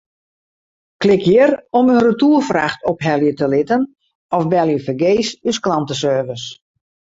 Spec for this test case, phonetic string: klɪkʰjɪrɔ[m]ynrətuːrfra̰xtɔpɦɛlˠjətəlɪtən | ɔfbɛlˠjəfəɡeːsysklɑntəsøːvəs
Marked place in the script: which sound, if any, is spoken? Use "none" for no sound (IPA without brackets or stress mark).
m